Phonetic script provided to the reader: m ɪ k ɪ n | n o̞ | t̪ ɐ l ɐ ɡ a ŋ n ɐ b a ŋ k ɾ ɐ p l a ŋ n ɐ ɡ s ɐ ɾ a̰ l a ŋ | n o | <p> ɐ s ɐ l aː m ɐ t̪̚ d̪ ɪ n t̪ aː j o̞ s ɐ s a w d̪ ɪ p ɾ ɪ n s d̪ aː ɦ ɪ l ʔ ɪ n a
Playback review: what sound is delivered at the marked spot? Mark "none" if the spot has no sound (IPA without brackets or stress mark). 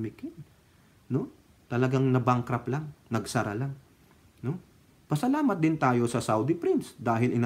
p